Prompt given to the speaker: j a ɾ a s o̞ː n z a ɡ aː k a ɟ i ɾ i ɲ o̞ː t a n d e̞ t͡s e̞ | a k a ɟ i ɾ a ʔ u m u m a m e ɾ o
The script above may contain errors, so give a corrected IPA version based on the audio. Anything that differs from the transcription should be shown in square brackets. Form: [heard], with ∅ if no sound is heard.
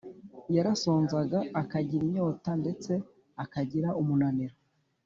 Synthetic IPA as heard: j a ɾ a s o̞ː n z a ɡ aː k a ɟ i ɾ i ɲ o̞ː t a n d e̞ t͡s e̞ | a k a ɟ i ɾ a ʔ u m u [n] a [n] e ɾ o